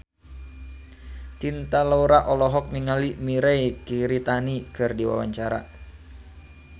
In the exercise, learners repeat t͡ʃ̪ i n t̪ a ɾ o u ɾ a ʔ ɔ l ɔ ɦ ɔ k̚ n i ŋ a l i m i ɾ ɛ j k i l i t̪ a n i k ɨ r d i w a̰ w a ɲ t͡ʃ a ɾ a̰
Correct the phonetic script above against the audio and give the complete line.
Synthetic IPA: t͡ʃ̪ i n t̪ a l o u ɾ a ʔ ɔ l ɔ ɦ ɔ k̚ n i ŋ a l i m i ɾ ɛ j k i ɾ i t̪ a n i k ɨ r d i w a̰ w a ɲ t͡ʃ a ɾ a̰